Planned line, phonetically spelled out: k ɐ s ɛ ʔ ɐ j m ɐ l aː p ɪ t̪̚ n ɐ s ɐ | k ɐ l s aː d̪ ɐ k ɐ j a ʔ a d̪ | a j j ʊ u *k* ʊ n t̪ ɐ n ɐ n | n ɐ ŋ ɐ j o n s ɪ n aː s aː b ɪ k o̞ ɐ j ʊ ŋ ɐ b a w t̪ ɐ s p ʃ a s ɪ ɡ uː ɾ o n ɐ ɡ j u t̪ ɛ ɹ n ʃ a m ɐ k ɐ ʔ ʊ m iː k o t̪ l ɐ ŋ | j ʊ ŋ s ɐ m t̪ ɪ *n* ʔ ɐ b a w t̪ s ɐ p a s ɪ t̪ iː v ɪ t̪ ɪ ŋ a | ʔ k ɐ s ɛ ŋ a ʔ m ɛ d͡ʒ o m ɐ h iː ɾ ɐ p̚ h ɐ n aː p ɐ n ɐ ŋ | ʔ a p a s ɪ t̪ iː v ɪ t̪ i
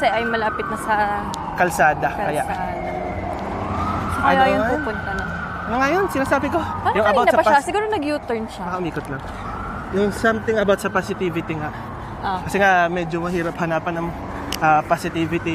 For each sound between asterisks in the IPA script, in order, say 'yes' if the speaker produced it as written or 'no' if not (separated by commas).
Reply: no, no